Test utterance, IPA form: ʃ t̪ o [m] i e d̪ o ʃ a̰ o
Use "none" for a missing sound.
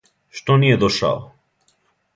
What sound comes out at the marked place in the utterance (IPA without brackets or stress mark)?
n